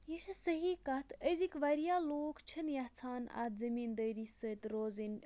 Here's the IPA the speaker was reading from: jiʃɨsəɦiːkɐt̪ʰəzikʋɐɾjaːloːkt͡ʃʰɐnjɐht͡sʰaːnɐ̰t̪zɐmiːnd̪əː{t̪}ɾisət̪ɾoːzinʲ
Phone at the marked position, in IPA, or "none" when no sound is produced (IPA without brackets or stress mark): none